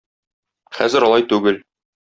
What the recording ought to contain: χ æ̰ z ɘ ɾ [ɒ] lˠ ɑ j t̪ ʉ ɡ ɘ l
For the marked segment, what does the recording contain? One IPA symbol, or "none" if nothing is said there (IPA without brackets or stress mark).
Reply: ɒ